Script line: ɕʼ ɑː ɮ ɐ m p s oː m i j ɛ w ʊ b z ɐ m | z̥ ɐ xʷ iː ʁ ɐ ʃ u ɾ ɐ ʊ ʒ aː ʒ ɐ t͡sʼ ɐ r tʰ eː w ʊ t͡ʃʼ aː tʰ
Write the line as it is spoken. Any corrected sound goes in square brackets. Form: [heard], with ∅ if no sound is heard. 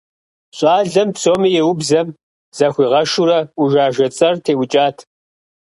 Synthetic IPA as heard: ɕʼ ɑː ɮ ɐ m p s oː m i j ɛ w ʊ b z ɐ m | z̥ ɐ xʷ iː ʁ ɐ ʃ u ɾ ɐ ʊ ʒ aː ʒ ɐ t͡sʼ ɐ r tʰ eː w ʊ t͡ʃʼ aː tʰ